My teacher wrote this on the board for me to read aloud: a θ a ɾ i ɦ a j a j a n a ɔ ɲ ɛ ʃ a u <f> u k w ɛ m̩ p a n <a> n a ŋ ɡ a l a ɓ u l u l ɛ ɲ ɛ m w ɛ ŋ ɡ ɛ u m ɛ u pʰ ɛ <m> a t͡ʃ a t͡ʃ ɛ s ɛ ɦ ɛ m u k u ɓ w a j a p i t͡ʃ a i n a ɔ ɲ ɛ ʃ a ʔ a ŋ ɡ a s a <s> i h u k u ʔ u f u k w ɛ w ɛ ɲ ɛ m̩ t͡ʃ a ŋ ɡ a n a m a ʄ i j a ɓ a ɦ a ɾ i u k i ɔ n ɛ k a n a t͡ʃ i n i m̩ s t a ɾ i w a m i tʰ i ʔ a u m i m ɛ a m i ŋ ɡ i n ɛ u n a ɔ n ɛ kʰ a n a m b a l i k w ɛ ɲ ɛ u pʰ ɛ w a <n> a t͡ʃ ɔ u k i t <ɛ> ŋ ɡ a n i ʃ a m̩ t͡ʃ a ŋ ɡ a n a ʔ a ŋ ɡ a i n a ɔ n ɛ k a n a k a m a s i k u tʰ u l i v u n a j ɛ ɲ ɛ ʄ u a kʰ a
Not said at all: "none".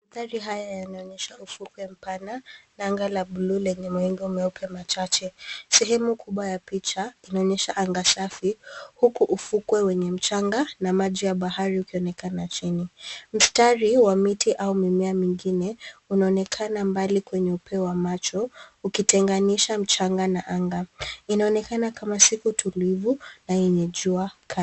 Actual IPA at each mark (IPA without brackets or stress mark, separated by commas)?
f, a, m, f, m, ɛ